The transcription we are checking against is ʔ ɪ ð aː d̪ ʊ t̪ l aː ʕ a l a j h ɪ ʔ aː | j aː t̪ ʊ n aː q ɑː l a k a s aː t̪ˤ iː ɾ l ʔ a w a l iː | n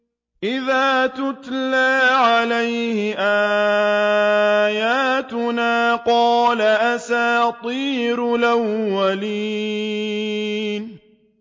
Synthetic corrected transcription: ʔ ɪ ð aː t̪ ʊ t̪ l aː ʕ a l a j h ɪ ʔ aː | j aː t̪ ʊ n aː q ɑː l a ʔ a s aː t̪ˤ iː ɾ l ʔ a wː a l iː | n